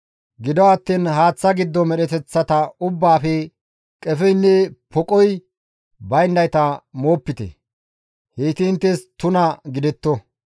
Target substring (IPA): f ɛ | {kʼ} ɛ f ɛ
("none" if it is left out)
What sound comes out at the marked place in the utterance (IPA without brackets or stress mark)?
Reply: kʼ